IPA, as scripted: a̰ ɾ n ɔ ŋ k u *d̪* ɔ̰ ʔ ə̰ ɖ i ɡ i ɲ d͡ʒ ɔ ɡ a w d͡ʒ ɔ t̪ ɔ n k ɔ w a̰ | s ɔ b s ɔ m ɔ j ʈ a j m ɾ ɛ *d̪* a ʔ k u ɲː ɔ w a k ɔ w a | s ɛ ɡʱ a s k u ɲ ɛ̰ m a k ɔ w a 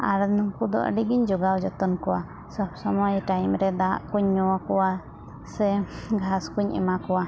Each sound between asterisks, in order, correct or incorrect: correct, correct

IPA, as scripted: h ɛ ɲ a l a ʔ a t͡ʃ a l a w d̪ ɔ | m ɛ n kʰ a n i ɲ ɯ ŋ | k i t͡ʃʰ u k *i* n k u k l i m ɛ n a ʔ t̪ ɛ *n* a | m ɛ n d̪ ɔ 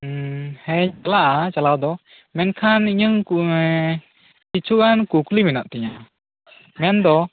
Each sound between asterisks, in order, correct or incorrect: incorrect: a, incorrect: ɲ

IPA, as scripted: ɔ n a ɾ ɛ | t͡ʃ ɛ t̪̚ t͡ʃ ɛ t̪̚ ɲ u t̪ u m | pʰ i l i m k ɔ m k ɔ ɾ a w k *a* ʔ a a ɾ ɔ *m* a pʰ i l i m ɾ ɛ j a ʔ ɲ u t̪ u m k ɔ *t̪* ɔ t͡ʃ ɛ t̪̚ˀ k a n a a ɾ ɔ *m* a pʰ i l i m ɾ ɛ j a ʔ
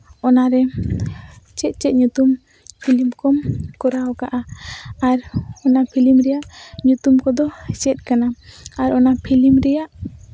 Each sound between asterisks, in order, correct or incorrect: correct, incorrect: n, incorrect: d̪, incorrect: n

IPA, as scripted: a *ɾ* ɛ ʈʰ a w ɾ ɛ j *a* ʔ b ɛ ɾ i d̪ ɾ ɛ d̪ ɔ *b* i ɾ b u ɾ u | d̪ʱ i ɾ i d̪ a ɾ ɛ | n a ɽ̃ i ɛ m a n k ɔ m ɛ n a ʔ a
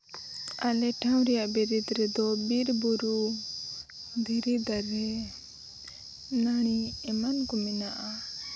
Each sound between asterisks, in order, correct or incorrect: incorrect: l, correct, correct

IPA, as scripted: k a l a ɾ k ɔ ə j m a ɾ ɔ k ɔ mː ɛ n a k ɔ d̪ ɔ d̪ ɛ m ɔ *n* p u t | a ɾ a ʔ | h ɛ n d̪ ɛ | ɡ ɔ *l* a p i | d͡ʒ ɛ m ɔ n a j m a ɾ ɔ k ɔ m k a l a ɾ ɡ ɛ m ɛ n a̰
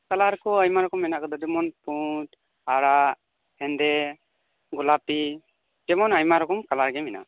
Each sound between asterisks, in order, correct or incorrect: correct, correct

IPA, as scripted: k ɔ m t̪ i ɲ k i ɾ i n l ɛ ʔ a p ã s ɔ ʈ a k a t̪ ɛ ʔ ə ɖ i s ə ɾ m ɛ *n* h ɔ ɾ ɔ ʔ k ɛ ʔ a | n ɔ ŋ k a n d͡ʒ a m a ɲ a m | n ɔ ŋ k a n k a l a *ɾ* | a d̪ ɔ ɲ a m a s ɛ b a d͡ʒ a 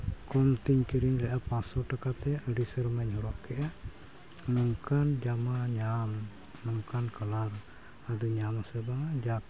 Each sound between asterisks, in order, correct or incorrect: incorrect: ɲ, correct

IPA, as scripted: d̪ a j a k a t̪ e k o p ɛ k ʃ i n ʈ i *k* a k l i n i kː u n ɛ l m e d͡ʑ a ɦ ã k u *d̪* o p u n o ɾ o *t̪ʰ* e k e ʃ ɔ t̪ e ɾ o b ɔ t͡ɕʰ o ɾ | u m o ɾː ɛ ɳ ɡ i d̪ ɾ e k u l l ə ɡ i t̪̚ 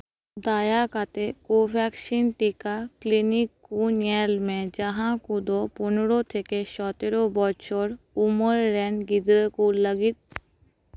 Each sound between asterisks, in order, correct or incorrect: correct, correct, correct

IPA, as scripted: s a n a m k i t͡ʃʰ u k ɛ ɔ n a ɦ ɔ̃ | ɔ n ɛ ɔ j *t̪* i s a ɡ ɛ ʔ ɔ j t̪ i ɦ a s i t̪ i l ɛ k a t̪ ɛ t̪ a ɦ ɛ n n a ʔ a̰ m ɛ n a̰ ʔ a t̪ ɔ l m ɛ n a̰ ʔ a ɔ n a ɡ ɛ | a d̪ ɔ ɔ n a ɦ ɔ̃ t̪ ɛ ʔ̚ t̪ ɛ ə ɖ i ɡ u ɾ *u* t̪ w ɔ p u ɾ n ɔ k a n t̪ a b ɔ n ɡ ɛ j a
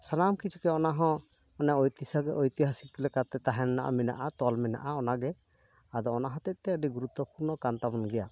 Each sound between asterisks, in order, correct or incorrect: correct, correct

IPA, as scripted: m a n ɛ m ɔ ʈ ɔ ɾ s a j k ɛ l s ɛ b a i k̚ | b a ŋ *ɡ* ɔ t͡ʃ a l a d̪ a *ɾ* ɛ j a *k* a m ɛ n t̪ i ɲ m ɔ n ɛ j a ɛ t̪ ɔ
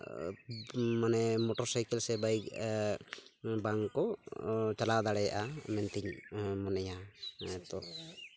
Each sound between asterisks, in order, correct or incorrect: incorrect: k, incorrect: ɽ, incorrect: ʔ

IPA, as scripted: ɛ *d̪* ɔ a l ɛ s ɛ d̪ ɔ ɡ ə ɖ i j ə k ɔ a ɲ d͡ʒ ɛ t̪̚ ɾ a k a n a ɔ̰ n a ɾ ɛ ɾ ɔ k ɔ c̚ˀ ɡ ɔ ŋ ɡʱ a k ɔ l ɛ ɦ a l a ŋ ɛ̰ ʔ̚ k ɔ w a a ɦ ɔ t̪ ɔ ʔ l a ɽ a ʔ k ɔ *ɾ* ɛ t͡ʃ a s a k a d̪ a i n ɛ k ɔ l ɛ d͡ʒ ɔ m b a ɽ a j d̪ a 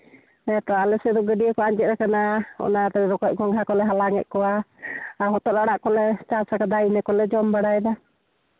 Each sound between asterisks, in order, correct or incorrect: incorrect: t̪, incorrect: l

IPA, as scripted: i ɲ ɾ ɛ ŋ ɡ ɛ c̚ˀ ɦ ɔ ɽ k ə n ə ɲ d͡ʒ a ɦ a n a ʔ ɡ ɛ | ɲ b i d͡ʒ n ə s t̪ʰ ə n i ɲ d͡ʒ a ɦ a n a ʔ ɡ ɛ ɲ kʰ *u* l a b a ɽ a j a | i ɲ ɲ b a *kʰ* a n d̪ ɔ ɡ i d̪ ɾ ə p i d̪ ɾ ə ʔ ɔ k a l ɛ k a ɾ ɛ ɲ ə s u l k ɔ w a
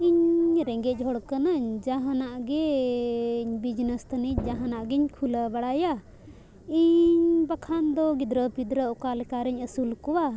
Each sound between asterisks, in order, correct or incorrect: correct, correct

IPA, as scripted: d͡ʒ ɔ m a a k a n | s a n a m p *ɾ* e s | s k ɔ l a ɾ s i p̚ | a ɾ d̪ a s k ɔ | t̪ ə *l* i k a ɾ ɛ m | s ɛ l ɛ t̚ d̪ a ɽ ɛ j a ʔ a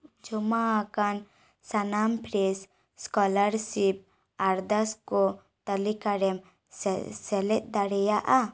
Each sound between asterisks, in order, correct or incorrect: correct, correct

